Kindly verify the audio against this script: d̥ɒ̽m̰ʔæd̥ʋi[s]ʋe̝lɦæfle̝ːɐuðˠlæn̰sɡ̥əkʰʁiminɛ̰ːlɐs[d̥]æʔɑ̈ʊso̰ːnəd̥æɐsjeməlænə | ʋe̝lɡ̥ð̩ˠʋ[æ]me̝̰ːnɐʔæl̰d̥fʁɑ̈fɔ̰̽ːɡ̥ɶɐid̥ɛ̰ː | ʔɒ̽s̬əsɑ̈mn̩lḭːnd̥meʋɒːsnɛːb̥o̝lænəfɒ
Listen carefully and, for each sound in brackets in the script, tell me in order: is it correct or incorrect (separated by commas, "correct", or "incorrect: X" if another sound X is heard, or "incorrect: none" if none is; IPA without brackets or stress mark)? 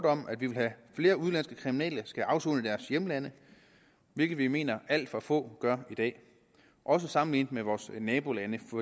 incorrect: none, incorrect: ɡ̥, incorrect: i